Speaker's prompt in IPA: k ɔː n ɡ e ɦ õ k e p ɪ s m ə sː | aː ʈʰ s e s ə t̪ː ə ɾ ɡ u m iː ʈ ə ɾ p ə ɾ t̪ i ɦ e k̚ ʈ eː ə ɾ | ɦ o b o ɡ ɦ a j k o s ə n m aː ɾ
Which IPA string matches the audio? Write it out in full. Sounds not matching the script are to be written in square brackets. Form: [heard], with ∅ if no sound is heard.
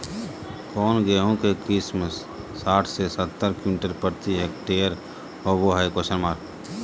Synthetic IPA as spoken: k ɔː n ɡ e ɦ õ k e [k] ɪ s m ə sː | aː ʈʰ s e s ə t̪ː ə ɾ [k] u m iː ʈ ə ɾ p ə ɾ t̪ i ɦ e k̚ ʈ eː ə ɾ | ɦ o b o [∅] ɦ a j k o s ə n m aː ɾ